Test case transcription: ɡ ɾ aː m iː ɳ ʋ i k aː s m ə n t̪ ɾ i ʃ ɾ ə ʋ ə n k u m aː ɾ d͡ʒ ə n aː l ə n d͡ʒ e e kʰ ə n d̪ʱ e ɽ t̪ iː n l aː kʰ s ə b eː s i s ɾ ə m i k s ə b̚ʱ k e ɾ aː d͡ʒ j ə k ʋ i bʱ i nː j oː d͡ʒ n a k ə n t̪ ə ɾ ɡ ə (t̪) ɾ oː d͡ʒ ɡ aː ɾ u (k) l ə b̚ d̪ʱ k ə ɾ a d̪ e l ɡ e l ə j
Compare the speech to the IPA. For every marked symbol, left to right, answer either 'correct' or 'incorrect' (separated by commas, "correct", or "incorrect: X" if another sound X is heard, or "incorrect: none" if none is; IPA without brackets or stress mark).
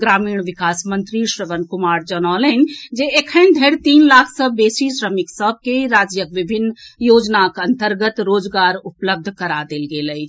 correct, incorrect: p